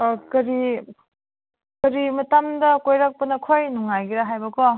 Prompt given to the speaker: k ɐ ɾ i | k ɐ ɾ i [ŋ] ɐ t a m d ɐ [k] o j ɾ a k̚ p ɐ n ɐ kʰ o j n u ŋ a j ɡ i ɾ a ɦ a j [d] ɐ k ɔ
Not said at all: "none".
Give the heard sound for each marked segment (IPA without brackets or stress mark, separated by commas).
m, k, b